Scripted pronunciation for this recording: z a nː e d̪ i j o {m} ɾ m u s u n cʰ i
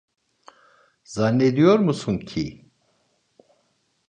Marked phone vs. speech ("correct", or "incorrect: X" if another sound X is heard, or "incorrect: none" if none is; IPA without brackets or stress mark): incorrect: none